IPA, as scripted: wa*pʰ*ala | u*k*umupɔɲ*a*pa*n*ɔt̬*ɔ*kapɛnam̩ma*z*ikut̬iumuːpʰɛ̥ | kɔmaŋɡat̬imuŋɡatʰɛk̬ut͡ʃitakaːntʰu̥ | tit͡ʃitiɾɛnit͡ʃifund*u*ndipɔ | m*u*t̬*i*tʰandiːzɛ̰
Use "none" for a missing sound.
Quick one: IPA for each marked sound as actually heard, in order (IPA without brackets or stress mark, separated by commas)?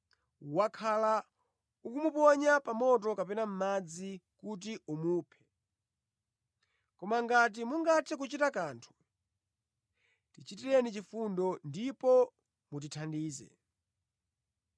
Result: kʰ, k, a, m, ɔ, d͡z, ɔ, u, i